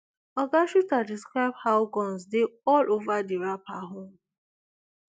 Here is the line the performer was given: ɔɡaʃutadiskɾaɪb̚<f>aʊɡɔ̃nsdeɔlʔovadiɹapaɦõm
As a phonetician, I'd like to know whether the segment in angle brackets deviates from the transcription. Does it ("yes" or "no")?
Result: yes